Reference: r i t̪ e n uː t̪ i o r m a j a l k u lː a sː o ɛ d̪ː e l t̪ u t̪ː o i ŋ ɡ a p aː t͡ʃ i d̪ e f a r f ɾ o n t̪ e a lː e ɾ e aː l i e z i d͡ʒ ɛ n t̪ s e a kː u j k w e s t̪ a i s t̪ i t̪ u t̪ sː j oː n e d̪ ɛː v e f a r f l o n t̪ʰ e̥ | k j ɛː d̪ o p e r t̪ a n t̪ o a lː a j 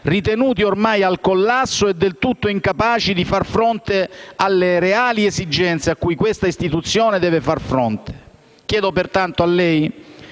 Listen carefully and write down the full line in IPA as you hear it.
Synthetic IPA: r i t̪ e n uː t̪ i o r m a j a l k o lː a sː o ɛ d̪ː e l t̪ u t̪ː o i ŋ k a p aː t͡ʃ i d̪ i f a r f ɾ o n t̪ e a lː e ɾ e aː l i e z i d͡ʒ ɛ n t̪ s e a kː u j k w e s t̪ a i s t̪ i t̪ u t̪ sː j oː n e d̪ ɛː v e f a r f ɾ o n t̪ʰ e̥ | k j ɛː d̪ o p e r t̪ a n t̪ o a lː ɛ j